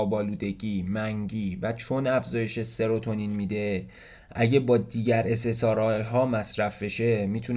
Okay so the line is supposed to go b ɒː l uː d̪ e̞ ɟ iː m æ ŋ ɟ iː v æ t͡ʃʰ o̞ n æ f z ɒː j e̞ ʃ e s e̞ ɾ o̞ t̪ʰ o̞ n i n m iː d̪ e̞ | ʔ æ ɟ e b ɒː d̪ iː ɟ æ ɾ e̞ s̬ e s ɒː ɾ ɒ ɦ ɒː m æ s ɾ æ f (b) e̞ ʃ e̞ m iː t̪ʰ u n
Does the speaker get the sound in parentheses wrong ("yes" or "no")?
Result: no